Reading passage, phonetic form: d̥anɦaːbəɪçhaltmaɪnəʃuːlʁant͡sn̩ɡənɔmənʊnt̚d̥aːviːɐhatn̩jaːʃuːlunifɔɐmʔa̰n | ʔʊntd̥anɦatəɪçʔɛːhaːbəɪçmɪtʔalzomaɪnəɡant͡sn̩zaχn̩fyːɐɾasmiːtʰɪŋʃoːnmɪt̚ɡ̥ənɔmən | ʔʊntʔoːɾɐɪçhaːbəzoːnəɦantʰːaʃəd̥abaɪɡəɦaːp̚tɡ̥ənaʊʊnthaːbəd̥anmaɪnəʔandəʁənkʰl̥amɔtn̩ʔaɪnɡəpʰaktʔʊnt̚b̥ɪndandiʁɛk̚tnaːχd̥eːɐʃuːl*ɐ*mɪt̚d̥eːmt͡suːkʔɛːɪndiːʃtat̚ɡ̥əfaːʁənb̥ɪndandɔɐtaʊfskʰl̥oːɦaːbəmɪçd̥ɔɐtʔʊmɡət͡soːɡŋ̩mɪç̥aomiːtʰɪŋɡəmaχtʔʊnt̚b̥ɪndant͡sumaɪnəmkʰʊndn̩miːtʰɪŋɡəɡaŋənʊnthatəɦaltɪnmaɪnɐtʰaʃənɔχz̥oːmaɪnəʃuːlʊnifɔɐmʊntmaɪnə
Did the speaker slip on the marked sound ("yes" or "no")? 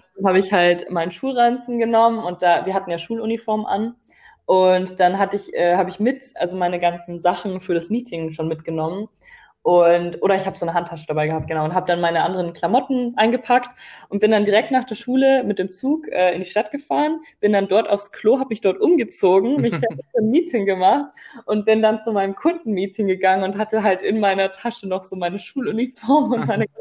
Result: yes